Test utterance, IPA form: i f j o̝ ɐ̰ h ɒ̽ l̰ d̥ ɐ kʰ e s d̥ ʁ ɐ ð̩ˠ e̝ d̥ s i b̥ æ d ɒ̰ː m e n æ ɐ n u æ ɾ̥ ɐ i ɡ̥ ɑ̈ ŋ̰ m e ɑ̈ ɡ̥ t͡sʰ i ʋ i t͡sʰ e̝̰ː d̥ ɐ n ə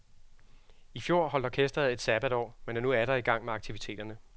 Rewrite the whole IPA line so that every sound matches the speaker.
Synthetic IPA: i f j o̝ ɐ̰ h ɒ̽ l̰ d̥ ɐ kʰ e s d̥ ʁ ɐ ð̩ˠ e̝ d̥ s æ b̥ æ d ɒ̰ː m e n æ ɐ n u æ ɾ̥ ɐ i ɡ̥ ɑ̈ ŋ̰ m e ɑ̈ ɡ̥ t͡sʰ i ʋ i t͡sʰ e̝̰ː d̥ ɐ n ə